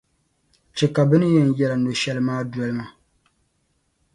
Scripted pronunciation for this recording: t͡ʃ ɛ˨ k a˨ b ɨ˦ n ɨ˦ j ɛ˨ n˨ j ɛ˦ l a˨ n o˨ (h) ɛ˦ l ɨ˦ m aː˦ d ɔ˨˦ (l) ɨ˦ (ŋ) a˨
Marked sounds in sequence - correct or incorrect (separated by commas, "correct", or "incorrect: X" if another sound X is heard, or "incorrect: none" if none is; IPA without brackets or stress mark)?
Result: incorrect: ʃ, correct, incorrect: m